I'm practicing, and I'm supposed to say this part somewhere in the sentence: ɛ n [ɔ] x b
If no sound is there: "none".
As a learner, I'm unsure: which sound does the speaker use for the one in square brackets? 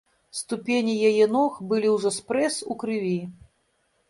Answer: ɔ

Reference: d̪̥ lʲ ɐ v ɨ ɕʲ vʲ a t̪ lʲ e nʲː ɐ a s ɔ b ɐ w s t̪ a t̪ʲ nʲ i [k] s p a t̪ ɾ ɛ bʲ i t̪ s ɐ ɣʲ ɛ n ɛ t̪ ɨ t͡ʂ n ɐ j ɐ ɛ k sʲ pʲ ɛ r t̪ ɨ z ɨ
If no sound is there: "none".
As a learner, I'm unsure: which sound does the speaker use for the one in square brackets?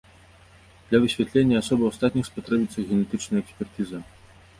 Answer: x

